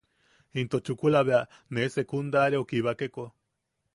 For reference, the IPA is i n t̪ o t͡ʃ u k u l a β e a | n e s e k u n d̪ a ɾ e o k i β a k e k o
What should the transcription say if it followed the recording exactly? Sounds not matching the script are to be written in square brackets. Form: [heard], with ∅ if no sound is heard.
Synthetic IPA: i n t̪ o t͡ʃ u k u l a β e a | n e s e k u n d̪ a ɾ e o k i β a k e k o